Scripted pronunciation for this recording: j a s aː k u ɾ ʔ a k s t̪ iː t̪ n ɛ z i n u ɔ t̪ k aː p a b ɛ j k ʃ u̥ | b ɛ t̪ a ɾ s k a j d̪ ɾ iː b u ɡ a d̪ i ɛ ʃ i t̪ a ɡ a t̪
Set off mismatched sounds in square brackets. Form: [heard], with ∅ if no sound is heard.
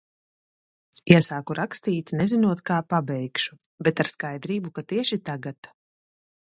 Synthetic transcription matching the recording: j a s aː k u ɾ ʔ a k s t̪ iː t̪ n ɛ z i n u ɔ t̪ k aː p a b ɛ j k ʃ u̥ | b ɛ t̪ a ɾ s k a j d̪ ɾ iː b u [k] a [t̪] i ɛ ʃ i t̪ a ɡ a t̪